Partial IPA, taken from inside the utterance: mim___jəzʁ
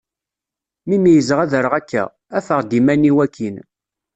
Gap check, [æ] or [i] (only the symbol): i